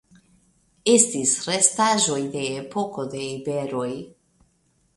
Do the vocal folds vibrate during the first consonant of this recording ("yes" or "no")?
no